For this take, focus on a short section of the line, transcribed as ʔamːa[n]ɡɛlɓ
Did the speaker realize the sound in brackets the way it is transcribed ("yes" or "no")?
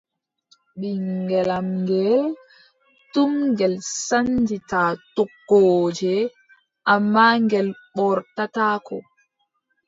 no